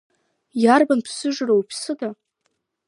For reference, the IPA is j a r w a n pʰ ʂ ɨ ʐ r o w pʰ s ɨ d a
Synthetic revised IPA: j a r b a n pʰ s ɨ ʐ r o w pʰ s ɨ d a

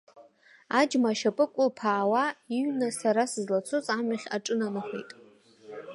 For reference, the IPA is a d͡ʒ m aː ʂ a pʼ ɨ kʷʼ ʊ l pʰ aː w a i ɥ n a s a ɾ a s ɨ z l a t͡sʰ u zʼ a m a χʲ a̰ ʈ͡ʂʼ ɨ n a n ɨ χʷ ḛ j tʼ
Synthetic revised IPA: a d͡ʒ m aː ʃ a pʼ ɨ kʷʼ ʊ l pʰ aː w a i ɥ n a s a ɾ a s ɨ z l a t͡sʰ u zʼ a m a χʲ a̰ ʈ͡ʂʼ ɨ n a n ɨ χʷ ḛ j tʼ

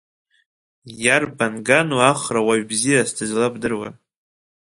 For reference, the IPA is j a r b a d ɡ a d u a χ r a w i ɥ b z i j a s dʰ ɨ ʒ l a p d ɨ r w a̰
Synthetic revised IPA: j a r b a n ɡ a n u a χ r a w a ɥ b z i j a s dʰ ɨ z l a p d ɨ r w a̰

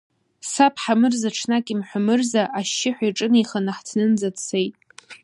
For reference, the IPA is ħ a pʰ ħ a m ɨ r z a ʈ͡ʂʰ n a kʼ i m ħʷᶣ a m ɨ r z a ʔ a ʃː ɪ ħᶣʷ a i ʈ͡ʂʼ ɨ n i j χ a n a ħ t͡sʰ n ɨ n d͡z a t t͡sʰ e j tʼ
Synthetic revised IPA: s a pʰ ħ a m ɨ r z a ʈ͡ʂʰ n a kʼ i m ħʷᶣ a m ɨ r z a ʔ a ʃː ɪ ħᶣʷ a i ʈ͡ʂʼ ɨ n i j χ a n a ħ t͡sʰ n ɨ n d͡z a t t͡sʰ e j tʼ

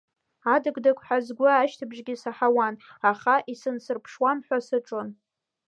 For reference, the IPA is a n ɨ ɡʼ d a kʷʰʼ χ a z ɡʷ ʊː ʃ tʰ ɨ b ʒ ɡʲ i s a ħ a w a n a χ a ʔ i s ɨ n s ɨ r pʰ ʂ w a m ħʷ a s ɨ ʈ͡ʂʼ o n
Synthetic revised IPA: a d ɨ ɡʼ d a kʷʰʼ ħ a z ɡʷ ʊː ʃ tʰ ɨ b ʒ ɡʲ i s a ħ a w a n a χ a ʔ i s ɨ n s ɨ r pʰ ʂ w a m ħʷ a s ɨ ʈ͡ʂʼ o n

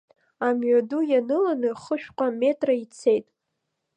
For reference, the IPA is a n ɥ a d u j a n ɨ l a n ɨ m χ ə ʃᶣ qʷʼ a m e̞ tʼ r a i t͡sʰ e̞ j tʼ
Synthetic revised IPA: a m ɥ a d u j a n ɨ l a n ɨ χ ə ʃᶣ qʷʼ a m e̞ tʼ r a i t͡sʰ e̞ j tʼ

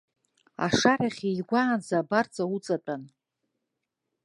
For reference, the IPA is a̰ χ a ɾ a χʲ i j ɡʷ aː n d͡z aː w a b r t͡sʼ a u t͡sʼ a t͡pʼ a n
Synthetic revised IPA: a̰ ʂ a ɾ a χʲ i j ɡʷ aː n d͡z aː b a r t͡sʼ a u t͡sʼ a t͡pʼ a n

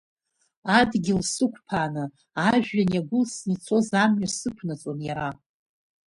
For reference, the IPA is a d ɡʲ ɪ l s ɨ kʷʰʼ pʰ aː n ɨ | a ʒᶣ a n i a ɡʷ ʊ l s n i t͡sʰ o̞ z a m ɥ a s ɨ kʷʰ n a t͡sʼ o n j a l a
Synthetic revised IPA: a d ɡʲ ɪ l s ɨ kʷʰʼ pʰ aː n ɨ | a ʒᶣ a n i a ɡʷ ʊ l s n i t͡sʰ o̞ z a m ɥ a s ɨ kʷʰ n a t͡sʼ o n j a ɾ a

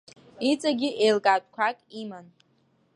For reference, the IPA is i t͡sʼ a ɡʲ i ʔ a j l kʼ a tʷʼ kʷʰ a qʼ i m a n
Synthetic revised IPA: i t͡sʼ a ɡʲ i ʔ e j l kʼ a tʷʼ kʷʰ a kʼ i m a n

